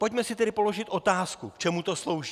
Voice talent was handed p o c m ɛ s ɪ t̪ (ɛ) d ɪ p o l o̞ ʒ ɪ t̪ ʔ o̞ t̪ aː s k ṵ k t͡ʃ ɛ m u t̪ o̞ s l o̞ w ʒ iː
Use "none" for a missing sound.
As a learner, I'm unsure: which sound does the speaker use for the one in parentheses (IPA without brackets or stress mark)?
ɛ